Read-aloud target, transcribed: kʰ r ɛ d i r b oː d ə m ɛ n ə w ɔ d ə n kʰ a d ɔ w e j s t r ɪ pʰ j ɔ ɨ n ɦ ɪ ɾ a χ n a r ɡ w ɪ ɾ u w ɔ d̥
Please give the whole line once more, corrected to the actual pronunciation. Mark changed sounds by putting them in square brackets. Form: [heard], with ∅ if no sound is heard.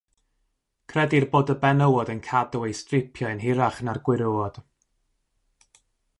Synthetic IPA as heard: kʰ r ɛ d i r b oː d ə [b] ɛ n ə w ɔ d ə n kʰ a d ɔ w e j s t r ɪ pʰ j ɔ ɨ n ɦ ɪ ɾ a χ n a r ɡ w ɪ ɾ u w ɔ d̥